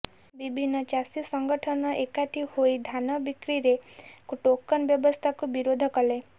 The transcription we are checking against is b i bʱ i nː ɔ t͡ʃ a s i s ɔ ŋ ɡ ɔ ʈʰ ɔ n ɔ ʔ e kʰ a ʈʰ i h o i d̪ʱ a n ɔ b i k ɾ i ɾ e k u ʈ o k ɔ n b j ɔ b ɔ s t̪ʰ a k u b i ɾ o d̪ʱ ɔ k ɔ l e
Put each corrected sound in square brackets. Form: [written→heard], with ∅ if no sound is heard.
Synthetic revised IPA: b i bʱ i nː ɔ t͡ʃ a s i s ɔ ŋ ɡ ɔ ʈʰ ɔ n ɔ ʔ e [kʰ→k] a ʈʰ i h o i d̪ʱ a n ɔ b i k ɾ i ɾ e k u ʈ o k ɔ n b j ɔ b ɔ s t̪ʰ a k u b i ɾ o d̪ʱ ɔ k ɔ l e